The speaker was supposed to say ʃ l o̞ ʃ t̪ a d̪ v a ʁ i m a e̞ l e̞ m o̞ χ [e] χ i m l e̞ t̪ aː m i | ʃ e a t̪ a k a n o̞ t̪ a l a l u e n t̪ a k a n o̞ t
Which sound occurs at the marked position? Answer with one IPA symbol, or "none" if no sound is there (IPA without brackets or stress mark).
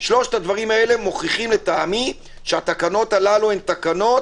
i